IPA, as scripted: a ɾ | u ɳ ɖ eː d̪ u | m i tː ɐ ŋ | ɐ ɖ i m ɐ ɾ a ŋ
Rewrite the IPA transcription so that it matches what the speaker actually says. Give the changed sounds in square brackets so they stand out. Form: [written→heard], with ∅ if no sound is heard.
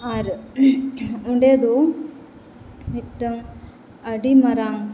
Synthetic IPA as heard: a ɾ | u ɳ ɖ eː d̪ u | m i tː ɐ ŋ | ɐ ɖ i m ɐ ɾ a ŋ

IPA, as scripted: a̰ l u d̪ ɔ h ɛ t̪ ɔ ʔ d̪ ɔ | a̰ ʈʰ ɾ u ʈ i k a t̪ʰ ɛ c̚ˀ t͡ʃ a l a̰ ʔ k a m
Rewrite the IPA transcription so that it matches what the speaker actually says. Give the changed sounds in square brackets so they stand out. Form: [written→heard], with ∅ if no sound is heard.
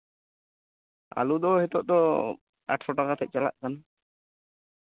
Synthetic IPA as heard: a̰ l u d̪ ɔ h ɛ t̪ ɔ ʔ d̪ ɔ | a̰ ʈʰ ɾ [u→ɔ] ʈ [i→a] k a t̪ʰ ɛ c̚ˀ t͡ʃ a l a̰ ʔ k a [m→n]

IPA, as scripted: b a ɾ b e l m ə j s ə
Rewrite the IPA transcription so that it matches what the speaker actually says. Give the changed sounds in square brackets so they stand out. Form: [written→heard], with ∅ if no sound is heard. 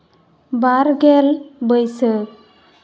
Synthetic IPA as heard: b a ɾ [b→ɡ] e l [m→b] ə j s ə

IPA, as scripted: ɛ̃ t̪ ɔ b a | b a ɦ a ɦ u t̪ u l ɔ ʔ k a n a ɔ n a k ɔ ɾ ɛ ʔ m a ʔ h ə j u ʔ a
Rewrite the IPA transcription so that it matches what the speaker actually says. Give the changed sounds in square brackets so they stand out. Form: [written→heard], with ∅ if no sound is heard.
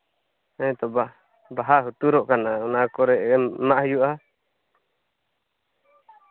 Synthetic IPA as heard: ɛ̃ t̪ ɔ b a | b a ɦ a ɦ u t̪ u [l→ɾ] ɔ ʔ k a n a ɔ n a k ɔ ɾ ɛ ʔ m a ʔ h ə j u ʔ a

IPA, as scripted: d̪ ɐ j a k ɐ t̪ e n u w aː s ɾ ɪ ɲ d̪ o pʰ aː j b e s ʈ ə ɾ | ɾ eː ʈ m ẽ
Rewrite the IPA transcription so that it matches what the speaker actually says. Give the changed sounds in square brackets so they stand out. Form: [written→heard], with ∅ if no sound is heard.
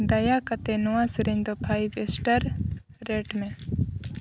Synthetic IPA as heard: d̪ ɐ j a k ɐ t̪ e n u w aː s ɾ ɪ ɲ d̪ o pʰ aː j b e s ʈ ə ɾ | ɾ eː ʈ m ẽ

